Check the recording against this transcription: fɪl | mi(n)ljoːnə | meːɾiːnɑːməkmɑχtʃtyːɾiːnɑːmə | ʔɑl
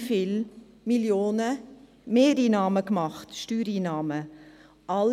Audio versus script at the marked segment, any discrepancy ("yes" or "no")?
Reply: yes